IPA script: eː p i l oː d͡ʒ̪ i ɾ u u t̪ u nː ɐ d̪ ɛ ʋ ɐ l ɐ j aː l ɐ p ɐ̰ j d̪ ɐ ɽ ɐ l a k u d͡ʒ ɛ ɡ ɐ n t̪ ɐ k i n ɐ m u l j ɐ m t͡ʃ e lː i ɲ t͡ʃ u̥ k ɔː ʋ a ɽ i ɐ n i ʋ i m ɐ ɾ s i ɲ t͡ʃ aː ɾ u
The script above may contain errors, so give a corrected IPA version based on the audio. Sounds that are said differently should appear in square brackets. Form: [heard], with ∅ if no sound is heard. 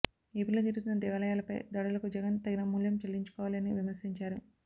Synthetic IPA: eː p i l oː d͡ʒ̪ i ɾ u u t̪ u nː ɐ d̪ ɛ ʋ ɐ l ɐ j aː l ɐ p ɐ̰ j d̪ ɐ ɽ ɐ l [ɐ] k u d͡ʒ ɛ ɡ ɐ n t̪ ɐ [ɡ] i n ɐ m u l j ɐ m t͡ʃ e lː i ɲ t͡ʃ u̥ k ɔː ʋ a [l] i ɐ n i ʋ i m ɐ ɾ s i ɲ t͡ʃ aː ɾ u